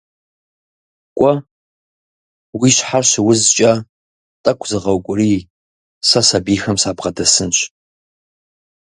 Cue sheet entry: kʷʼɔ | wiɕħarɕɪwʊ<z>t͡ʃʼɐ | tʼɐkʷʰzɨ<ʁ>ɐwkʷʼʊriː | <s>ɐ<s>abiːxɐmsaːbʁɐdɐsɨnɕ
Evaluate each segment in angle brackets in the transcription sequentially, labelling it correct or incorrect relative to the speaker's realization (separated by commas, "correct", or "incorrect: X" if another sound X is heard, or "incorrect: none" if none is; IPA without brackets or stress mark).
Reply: correct, correct, correct, correct